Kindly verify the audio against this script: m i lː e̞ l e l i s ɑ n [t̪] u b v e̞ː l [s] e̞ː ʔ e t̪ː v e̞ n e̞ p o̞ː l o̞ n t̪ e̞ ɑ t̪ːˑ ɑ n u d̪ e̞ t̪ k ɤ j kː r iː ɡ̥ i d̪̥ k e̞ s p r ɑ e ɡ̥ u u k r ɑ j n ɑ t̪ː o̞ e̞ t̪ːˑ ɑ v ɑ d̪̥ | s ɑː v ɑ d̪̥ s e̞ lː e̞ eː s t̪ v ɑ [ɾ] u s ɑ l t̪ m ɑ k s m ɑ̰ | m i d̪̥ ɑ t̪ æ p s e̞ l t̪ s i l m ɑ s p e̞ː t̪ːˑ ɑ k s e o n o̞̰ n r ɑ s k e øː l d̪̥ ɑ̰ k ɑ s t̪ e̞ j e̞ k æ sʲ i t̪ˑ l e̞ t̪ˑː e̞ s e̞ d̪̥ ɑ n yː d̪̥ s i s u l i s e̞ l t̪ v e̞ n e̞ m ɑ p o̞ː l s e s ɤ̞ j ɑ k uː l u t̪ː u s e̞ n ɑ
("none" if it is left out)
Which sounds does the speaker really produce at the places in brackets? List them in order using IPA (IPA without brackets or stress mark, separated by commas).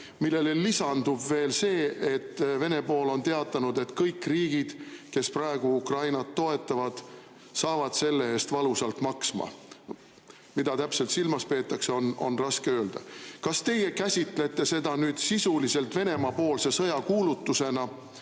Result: d̪, s, l